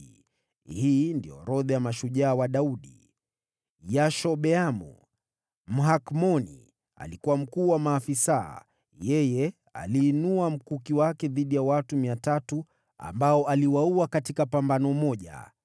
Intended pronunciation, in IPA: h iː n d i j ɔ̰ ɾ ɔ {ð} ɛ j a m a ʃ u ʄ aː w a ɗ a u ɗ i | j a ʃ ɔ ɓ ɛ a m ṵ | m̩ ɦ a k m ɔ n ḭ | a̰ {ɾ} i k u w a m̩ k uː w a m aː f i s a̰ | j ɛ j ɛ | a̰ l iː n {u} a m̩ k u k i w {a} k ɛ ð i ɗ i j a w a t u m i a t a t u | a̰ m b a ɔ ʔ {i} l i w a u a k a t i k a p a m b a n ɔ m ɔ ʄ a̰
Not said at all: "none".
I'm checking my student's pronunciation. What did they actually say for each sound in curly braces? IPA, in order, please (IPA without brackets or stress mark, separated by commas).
ð, l, u, a, a